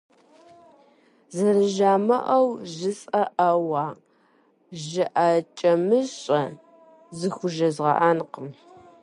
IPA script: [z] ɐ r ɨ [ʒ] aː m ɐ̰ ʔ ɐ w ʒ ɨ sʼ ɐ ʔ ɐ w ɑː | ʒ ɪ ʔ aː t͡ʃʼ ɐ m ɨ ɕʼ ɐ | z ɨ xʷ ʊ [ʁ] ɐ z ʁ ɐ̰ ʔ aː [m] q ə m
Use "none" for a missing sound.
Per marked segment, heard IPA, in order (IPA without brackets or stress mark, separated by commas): z, ʒ, ʒ, n